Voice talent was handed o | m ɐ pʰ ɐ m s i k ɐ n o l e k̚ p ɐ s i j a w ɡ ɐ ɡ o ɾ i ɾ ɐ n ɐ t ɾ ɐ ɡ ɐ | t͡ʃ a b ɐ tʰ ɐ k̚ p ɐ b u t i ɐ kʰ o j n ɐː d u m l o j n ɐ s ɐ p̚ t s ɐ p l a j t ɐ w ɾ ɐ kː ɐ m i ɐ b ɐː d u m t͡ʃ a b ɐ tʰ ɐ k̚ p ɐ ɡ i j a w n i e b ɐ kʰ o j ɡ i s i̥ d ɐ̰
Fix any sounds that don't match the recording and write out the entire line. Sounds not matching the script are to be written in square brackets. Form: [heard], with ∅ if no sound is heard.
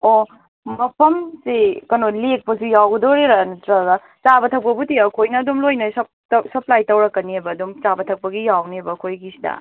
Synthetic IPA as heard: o | m ɐ pʰ ɐ m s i k ɐ n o l e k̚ p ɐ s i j a w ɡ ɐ [d] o ɾ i ɾ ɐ n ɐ t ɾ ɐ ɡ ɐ | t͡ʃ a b ɐ tʰ ɐ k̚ p ɐ b u t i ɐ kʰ o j n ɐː d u m l o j n ɐ s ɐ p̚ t s ɐ p l a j t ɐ w ɾ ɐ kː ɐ [n] i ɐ b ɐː d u m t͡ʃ a b ɐ tʰ ɐ k̚ p ɐ ɡ i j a w n i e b ɐ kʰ o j ɡ i s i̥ d ɐ̰

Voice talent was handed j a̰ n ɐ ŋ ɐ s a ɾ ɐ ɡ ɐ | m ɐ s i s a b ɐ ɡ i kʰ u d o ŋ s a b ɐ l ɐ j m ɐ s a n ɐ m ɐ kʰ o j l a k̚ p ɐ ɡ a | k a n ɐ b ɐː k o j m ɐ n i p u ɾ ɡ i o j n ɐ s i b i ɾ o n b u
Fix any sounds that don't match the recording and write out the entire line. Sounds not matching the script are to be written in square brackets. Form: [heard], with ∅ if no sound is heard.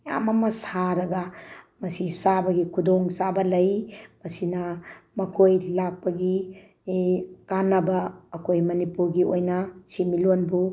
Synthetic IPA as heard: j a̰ [m] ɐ [m] ɐ s a ɾ ɐ ɡ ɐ | m ɐ s i s a b ɐ ɡ i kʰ u d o ŋ s a b ɐ l ɐ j m ɐ s [i] n ɐ m ɐ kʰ o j l a k̚ p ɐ ɡ [i] | k a n ɐ b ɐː k o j m ɐ n i p u ɾ ɡ i o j n ɐ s i [m] i [l] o n b u

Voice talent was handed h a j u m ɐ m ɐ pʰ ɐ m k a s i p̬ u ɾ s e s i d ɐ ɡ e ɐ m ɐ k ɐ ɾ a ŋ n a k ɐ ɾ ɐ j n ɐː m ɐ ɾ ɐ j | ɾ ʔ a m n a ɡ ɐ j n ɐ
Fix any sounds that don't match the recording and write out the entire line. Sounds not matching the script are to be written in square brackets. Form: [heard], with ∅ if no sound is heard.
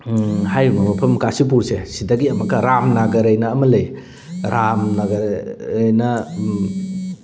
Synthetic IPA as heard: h a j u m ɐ m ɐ pʰ ɐ m k a s i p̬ u ɾ s e s i d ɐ ɡ [i] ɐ m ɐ k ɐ ɾ a [m] n a [ɡ] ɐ ɾ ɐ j n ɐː m ɐ [l] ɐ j | ɾ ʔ a m n a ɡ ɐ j n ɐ

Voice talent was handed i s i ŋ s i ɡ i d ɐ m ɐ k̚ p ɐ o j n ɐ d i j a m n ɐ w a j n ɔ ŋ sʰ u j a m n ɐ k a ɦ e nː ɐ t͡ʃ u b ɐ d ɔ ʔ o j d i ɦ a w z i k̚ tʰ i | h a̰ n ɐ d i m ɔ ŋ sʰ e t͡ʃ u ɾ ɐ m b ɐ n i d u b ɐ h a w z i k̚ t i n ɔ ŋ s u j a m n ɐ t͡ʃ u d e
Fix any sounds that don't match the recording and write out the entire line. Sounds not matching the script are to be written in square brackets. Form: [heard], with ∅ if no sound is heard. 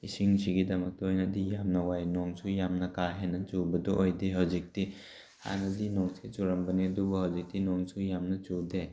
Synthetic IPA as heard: i s i ŋ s i ɡ i d ɐ m ɐ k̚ [t] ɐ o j n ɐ d i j a m n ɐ w a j n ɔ ŋ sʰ u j a m n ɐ k a ɦ e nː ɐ t͡ʃ u b ɐ d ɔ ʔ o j d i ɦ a w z i k̚ [t] i | h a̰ n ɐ d i [n] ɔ ŋ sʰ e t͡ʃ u ɾ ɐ m b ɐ n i d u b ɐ h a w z i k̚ t i n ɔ ŋ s u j a m n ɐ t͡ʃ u d e

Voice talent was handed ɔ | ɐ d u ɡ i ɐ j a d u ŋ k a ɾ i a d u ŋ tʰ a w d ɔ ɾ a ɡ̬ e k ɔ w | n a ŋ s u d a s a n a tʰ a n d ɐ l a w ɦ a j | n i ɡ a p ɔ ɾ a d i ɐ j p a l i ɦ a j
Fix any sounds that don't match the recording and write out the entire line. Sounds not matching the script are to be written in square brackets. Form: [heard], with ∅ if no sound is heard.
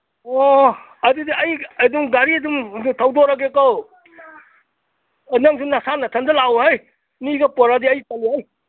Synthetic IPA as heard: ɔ | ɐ d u [d] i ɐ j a d u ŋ [ɡ] a ɾ i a d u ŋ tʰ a w d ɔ ɾ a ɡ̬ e k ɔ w | n a ŋ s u [n] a s a n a tʰ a n d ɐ l a w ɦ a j | n i ɡ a p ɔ ɾ a d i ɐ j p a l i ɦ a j

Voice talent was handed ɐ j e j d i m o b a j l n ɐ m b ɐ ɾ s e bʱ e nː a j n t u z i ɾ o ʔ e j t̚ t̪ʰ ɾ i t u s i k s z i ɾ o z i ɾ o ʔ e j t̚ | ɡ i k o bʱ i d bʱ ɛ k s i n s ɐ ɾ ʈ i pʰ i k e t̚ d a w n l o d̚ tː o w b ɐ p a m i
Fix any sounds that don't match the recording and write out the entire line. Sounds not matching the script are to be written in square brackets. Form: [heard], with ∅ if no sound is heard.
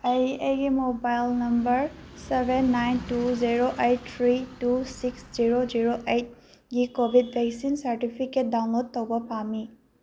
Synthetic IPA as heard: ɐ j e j [ɡ] i m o b a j l n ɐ m b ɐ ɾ s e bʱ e nː a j n t u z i ɾ o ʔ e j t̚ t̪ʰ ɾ i t u s i k s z i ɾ o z i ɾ o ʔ e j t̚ | ɡ i k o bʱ i d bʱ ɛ k s i n s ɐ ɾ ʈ i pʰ i k e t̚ d a w n l o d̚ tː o w b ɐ p a m i

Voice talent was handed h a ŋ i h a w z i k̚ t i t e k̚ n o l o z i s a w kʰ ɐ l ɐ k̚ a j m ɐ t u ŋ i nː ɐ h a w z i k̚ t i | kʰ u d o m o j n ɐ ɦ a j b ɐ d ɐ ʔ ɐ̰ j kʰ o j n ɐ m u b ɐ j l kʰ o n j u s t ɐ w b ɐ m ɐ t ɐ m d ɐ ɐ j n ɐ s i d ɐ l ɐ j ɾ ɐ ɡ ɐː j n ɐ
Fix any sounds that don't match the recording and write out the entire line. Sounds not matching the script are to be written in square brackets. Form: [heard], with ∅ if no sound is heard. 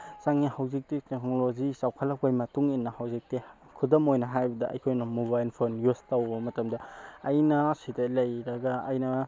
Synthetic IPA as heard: [s] a ŋ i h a w z i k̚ t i t e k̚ n o l o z i s a w kʰ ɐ l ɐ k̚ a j m ɐ t u ŋ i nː ɐ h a w z i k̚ t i | kʰ u d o m o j n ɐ ɦ a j b ɐ d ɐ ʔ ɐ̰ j kʰ o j n ɐ m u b [a] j l [pʰ] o n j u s t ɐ w b ɐ m ɐ t ɐ m d ɐ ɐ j n ɐ s i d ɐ l ɐ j ɾ ɐ ɡ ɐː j n ɐ

